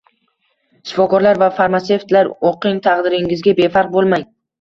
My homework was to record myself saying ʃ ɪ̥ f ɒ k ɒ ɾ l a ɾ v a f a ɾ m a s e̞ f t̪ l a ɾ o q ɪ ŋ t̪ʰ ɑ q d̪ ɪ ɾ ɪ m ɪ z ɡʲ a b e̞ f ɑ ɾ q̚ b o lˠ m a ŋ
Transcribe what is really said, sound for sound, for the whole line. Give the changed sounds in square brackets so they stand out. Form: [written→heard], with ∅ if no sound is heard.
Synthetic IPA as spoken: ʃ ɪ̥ f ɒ k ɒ ɾ l a ɾ v a f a ɾ m a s e̞ f t̪ l a ɾ o q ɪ ŋ t̪ʰ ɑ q d̪ ɪ ɾ ɪ [m→ŋ] ɪ z ɡʲ a b e̞ f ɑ ɾ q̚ b o lˠ m a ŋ